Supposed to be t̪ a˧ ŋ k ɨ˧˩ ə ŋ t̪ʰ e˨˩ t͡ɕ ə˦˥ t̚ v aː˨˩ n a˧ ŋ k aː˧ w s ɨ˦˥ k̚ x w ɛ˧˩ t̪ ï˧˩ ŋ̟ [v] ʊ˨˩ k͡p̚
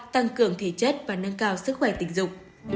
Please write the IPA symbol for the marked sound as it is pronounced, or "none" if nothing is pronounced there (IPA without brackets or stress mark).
z